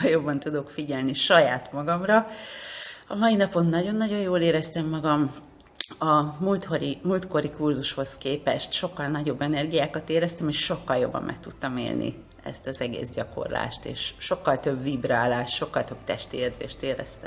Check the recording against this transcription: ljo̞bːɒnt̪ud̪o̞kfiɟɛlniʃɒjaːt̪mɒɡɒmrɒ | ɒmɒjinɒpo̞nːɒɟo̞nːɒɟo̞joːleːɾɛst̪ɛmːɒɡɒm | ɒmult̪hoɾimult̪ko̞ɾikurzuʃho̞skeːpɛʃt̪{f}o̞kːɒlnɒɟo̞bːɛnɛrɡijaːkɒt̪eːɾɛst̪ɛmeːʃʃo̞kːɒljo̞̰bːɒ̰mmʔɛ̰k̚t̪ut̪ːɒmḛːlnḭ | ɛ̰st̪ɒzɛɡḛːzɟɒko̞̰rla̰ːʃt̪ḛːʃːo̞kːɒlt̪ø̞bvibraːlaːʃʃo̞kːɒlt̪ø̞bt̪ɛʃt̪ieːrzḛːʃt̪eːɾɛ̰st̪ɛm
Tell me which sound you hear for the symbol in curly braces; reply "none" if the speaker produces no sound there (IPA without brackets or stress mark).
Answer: ʃ